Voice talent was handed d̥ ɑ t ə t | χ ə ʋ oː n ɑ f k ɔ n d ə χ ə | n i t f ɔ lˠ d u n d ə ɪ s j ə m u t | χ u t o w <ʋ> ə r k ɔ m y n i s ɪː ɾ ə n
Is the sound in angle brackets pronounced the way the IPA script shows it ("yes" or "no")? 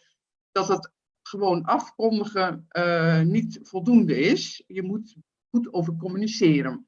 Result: no